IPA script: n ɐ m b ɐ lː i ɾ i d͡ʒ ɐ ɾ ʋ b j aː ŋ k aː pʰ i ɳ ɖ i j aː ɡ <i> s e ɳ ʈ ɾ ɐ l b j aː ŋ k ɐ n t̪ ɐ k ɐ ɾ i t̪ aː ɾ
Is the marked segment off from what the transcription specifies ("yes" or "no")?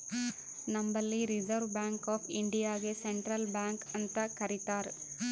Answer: yes